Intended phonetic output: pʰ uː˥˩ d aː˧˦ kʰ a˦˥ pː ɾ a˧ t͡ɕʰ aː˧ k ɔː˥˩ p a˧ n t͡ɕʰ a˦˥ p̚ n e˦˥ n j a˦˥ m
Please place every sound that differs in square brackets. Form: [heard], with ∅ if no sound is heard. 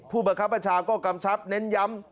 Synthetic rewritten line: pʰ uː˥˩ [b] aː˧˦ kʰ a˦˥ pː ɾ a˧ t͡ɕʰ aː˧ k ɔː˥˩ [k] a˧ [m] t͡ɕʰ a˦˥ p̚ n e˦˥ n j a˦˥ m